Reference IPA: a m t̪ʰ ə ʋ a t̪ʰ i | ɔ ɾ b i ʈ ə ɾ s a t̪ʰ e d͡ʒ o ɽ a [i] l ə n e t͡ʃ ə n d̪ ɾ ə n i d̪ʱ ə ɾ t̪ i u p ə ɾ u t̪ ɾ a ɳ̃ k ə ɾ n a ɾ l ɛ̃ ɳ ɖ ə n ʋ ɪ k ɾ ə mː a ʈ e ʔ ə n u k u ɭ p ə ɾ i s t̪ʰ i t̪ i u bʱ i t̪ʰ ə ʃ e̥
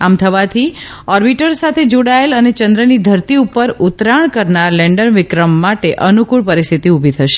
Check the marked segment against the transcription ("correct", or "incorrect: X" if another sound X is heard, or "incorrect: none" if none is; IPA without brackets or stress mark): incorrect: e